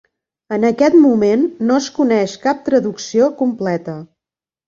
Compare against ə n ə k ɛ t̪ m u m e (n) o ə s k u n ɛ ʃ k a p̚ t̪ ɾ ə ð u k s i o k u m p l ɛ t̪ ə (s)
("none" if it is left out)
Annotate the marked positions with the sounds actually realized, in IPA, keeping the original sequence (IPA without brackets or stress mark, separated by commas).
nː, none